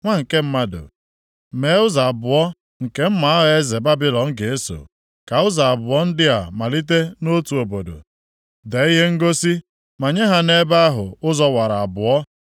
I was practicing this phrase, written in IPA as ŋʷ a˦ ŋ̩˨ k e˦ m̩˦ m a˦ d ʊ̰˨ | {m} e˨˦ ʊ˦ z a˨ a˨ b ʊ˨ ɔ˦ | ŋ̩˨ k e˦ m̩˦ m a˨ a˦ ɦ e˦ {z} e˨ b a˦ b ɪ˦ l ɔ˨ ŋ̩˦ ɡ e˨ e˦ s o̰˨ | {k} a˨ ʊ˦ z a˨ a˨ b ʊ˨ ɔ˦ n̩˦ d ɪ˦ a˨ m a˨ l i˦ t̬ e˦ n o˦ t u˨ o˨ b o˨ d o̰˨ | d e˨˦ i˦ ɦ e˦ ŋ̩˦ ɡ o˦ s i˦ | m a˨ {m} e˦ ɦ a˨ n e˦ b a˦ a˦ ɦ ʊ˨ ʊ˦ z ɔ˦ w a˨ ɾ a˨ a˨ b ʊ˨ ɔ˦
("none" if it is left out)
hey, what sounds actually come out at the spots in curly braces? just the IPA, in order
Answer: m, z, k, ɲ

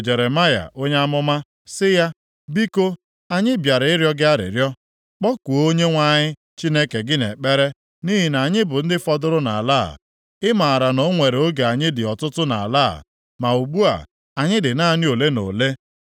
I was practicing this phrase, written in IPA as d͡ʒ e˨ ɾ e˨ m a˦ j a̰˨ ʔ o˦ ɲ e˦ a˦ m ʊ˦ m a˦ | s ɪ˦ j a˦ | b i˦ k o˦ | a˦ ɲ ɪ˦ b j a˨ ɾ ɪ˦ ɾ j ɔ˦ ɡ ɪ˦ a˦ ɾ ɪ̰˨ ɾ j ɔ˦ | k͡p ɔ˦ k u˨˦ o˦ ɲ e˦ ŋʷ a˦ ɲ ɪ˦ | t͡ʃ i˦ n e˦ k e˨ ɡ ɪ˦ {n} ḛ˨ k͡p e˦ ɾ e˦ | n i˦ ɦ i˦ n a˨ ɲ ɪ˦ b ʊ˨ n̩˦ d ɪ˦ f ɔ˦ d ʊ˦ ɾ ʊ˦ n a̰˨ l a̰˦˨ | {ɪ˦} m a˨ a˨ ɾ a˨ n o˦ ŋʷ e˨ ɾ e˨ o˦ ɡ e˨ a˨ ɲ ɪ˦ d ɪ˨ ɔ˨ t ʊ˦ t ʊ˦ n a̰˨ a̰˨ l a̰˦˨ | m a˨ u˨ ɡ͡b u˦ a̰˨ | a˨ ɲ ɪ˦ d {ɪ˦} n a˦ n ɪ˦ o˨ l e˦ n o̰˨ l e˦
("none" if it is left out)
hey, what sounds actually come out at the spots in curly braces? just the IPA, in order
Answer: n, ɪ˦, ɪ˨

